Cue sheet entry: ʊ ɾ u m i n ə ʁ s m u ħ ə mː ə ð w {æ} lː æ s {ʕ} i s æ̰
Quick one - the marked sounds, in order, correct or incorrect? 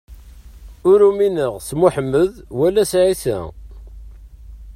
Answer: correct, correct

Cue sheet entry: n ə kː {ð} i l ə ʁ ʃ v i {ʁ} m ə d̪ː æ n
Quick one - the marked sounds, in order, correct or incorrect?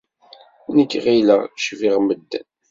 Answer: incorrect: ʁ, correct

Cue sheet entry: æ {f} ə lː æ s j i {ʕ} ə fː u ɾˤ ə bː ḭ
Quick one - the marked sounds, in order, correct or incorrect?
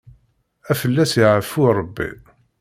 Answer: correct, correct

